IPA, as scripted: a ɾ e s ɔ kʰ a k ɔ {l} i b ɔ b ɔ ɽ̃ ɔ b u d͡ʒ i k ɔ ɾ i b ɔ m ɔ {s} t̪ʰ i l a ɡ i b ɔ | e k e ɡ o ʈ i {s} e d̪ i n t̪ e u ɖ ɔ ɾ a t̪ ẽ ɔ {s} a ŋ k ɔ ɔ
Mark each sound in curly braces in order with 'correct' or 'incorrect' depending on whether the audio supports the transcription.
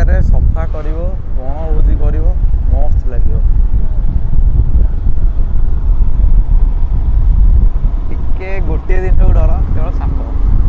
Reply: incorrect, correct, incorrect, correct

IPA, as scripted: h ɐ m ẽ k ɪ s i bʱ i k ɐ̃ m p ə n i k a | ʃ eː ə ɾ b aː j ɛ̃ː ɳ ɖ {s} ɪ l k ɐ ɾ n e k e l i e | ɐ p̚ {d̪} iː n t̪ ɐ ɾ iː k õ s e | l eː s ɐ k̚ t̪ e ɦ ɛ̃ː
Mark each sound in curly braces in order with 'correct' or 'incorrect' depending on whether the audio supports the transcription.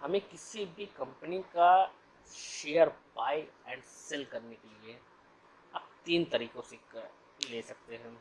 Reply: correct, incorrect

